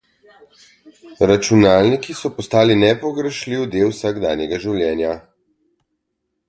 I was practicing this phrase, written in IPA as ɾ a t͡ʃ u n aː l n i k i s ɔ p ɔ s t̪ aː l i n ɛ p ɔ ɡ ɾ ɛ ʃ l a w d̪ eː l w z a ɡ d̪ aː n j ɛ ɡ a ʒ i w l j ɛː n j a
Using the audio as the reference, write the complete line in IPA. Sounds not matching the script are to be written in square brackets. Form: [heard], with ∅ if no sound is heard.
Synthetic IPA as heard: ɾ a t͡ʃ u n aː l n i k i s ɔ p ɔ s t̪ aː l i n ɛ p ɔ ɡ ɾ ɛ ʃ l [i] w d̪ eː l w [s] a ɡ d̪ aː n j ɛ ɡ a ʒ i w l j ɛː n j a